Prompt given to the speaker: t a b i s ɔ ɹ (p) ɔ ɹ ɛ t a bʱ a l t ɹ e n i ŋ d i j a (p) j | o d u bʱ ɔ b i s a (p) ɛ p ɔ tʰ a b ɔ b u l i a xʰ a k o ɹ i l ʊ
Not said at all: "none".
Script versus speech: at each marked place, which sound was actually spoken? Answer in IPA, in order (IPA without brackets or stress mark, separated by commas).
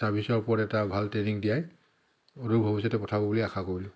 p, none, t